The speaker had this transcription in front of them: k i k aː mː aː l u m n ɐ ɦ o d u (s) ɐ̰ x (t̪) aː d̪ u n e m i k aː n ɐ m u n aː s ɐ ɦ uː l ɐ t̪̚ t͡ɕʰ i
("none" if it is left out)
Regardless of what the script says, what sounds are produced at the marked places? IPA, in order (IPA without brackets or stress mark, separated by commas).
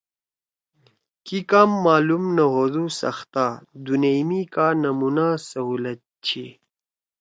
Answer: s, t̪